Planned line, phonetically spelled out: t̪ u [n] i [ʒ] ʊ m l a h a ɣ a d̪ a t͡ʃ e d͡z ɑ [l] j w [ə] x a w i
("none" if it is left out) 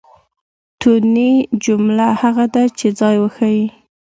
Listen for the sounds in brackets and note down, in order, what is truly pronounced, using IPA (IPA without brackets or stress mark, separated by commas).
n, d͡ʒ, none, ə